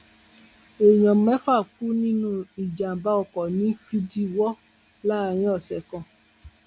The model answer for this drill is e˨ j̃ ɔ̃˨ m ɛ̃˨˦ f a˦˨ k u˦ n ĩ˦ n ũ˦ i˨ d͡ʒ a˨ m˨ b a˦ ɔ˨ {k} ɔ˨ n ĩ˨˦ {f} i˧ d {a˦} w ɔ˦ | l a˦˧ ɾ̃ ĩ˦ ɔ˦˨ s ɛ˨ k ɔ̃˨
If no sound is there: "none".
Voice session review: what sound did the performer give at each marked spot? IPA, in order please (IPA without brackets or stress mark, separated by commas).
k, f, i˦